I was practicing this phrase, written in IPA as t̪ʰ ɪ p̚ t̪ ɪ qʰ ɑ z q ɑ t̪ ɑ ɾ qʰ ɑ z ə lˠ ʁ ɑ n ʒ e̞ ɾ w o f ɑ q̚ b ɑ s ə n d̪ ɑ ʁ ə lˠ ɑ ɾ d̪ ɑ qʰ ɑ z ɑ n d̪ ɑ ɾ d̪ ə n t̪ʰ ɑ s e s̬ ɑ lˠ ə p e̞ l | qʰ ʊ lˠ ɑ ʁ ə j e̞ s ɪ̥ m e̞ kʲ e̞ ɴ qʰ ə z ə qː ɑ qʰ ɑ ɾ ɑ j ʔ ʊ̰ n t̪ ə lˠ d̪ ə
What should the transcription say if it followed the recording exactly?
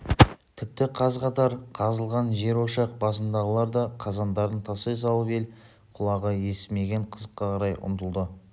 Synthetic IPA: t̪ʰ ɪ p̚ t̪ ɪ qʰ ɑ z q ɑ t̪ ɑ ɾ qʰ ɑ z ə lˠ ʁ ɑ n ʒ e̞ ɾ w o ʃ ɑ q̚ b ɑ s ə n d̪ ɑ ʁ ə lˠ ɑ ɾ d̪ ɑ qʰ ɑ z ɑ n d̪ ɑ ɾ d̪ ə n t̪ʰ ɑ s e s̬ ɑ lˠ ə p e̞ l | qʰ ʊ lˠ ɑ ʁ ə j e̞ s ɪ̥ m e̞ ɡʲ e̞ ɴ qʰ ə z ə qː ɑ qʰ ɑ ɾ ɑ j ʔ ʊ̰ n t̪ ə lˠ d̪ ə